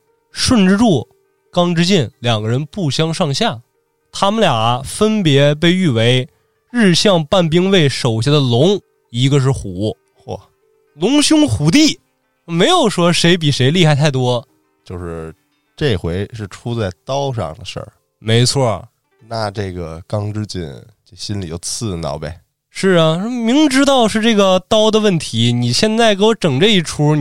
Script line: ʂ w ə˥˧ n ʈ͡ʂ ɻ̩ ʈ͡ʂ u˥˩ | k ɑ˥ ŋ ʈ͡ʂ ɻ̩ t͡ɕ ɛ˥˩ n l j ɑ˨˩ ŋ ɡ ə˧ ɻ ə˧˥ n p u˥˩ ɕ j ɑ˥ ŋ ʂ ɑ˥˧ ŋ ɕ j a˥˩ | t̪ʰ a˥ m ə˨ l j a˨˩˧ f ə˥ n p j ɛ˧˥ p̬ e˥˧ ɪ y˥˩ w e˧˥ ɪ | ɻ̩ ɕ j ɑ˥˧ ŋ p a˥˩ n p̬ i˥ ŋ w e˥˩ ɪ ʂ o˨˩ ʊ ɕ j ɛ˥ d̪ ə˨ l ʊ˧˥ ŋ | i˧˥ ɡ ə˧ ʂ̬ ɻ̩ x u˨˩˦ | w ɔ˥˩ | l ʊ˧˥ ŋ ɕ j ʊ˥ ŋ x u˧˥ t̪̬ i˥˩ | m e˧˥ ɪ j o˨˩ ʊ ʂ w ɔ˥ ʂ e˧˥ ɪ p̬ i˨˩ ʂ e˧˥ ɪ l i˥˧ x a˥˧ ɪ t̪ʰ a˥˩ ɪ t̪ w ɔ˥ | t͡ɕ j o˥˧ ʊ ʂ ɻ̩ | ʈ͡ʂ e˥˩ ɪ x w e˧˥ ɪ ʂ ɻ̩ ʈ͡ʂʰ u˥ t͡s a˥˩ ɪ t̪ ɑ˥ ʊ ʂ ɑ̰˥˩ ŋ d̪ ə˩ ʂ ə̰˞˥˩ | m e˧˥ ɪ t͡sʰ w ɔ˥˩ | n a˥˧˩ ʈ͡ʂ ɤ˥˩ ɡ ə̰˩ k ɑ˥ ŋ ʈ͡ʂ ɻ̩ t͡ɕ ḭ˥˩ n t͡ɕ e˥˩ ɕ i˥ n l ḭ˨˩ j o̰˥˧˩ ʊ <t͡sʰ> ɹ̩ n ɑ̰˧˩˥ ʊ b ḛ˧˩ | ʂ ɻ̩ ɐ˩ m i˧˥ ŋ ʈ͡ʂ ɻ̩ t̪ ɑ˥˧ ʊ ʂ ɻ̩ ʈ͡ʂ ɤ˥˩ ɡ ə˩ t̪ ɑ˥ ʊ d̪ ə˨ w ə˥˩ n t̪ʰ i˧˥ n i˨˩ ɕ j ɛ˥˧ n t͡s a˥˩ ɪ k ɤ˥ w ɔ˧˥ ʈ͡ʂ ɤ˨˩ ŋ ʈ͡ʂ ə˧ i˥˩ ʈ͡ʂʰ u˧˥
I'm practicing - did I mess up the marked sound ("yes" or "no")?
no